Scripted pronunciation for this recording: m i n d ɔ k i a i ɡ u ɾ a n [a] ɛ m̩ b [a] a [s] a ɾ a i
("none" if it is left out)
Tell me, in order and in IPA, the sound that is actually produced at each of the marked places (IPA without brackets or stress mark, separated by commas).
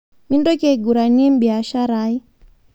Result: i, i, ʃ